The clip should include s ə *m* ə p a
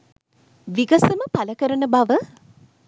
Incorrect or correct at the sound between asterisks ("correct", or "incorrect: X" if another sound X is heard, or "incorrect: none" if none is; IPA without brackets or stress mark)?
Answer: correct